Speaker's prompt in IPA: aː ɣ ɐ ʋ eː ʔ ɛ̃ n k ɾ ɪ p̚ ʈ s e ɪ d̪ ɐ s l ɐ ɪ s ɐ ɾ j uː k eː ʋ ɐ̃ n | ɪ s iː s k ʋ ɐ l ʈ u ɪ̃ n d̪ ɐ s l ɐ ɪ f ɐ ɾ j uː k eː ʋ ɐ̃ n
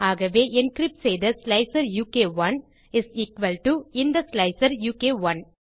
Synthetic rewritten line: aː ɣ ɐ ʋ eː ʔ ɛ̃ n k ɾ ɪ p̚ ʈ s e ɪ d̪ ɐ s l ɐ ɪ s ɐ ɾ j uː k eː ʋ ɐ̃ n | ɪ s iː k ʋ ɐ l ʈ u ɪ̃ n d̪ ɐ s l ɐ ɪ s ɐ ɾ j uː k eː ʋ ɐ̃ n